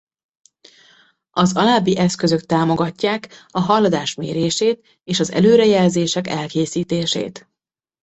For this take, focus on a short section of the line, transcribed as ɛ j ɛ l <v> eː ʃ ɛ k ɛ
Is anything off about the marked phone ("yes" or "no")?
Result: yes